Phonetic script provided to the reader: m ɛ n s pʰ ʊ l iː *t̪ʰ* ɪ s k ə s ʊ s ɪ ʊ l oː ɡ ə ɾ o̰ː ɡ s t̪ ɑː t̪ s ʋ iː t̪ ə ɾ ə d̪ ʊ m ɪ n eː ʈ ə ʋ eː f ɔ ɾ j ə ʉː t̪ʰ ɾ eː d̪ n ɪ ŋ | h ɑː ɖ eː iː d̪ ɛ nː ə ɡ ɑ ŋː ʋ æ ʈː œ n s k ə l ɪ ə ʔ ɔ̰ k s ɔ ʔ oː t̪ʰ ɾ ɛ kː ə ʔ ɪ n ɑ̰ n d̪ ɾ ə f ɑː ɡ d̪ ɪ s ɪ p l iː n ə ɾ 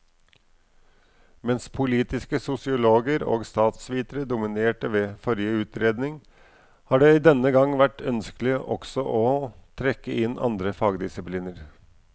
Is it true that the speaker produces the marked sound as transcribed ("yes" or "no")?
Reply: no